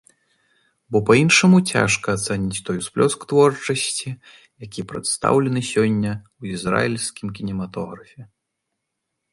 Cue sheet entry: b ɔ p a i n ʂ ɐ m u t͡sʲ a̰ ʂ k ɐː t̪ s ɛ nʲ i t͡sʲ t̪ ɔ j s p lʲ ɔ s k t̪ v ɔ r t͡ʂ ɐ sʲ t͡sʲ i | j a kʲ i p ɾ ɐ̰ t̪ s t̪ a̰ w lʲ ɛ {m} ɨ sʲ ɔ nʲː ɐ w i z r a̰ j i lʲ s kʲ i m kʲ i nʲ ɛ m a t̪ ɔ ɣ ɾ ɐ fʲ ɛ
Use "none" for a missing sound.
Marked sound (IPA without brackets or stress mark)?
n